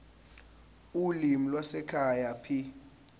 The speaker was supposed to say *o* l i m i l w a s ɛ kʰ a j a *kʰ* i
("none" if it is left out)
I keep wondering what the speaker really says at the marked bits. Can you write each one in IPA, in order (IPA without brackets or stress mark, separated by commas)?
u, pʰ